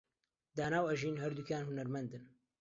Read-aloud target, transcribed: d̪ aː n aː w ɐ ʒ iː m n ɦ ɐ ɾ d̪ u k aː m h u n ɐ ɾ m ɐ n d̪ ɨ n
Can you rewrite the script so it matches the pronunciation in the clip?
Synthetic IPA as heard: d̪ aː n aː w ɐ ʒ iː n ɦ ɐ ɾ d̪ u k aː n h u n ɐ ɾ m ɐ n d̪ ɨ n